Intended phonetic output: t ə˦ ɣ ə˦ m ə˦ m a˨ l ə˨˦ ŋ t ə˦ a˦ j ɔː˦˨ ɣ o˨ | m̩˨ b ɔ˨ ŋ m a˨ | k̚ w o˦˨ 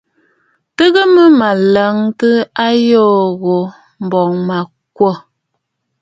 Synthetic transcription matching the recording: t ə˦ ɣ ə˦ m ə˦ m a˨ l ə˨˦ ŋ t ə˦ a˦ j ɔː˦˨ ɣ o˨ | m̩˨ b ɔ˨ ŋ m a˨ | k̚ w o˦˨

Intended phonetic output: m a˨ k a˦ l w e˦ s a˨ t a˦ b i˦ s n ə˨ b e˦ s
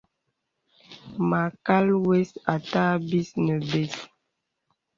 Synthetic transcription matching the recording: m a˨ k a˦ l w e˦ s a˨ t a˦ b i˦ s n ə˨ b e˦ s

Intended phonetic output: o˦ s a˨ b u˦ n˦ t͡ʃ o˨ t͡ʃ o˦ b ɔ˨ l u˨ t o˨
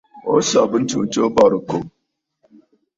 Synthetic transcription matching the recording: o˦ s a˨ b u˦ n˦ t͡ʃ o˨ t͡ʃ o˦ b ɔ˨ ɾ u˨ k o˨

